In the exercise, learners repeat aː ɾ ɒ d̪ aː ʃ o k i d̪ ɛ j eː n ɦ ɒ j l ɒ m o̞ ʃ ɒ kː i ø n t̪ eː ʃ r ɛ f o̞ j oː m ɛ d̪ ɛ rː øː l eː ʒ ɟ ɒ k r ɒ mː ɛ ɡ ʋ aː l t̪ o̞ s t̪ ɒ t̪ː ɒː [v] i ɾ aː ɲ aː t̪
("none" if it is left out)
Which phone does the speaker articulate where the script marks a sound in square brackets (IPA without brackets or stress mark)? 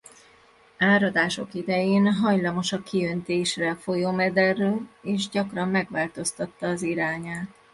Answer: z